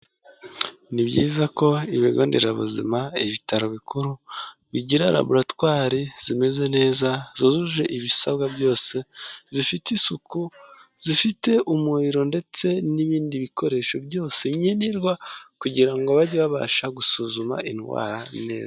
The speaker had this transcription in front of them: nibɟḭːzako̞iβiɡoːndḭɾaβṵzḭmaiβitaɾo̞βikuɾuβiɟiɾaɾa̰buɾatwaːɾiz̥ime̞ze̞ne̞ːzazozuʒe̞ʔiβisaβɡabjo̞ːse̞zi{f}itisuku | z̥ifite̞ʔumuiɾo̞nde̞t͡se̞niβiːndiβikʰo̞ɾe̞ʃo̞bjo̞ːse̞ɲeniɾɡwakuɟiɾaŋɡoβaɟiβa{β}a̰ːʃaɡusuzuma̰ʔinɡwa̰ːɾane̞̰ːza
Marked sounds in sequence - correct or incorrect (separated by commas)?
correct, correct